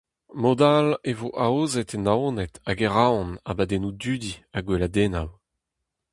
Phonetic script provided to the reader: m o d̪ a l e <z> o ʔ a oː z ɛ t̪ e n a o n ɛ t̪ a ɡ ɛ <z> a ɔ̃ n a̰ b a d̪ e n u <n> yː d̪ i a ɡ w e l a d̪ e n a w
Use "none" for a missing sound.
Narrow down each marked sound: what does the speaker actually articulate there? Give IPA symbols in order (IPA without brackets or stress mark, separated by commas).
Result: v, ʁ, d